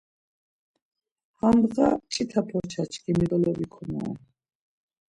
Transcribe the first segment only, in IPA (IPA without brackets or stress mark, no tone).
h